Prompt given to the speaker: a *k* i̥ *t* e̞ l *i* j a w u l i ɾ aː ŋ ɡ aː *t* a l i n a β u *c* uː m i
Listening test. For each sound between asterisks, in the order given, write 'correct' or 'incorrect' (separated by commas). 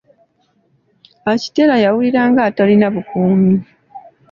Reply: incorrect, correct, incorrect, correct, incorrect